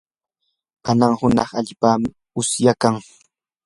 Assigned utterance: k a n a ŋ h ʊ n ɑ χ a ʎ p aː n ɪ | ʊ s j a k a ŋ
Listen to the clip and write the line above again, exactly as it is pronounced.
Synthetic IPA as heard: k a n a ŋ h ʊ n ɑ χ a ʎ p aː m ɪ | ʊ s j a k a ŋ